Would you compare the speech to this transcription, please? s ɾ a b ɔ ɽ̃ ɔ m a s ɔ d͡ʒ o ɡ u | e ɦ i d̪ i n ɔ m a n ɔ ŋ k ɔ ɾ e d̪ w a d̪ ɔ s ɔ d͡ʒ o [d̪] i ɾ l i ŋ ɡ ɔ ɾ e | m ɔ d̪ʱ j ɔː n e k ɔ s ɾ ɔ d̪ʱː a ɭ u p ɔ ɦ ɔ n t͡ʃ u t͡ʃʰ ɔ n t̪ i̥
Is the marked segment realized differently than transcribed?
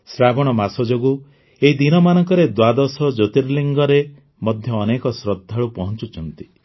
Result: yes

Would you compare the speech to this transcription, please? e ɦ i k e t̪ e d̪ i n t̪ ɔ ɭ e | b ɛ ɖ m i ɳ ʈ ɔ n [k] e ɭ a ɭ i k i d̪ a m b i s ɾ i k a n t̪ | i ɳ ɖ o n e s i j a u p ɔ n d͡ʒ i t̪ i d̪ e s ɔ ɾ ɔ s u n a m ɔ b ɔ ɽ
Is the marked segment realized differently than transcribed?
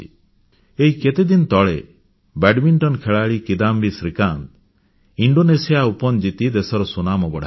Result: yes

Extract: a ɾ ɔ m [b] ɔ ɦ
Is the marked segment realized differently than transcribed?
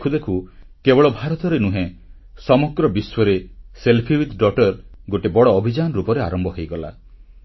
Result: no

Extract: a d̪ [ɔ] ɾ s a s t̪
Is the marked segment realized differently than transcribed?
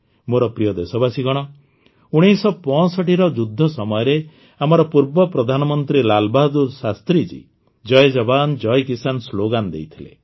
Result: yes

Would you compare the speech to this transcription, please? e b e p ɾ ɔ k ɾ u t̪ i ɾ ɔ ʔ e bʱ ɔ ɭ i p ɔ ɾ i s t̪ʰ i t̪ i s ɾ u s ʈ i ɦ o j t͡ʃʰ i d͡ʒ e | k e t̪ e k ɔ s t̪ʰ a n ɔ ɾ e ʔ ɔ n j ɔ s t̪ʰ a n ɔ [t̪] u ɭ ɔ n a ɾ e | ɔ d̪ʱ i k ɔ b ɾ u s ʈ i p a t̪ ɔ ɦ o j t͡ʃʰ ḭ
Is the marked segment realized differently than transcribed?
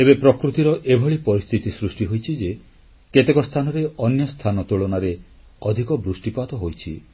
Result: no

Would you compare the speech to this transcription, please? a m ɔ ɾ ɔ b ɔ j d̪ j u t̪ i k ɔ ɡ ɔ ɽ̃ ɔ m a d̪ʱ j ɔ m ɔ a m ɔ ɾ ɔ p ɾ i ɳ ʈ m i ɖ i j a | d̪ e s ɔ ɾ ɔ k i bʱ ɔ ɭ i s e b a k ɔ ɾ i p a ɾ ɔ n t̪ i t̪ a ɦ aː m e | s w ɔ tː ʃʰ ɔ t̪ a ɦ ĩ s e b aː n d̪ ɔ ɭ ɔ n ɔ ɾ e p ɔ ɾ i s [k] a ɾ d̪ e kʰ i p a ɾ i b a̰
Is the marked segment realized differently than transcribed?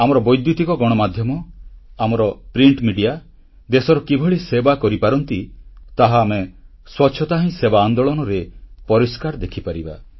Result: no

